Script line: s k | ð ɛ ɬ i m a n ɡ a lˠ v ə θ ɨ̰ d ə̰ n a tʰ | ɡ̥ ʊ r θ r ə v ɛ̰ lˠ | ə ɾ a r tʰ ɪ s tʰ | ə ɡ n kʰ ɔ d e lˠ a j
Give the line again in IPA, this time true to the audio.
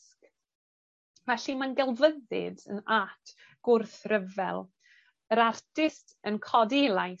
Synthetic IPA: s k | v ɛ ɬ i m a n ɡ ɛ lˠ v ə ð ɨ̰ d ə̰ n a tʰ | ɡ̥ ʊ r θ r ə v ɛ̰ lˠ | ə ɾ a r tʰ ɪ s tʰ | ə n kʰ ɔ d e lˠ a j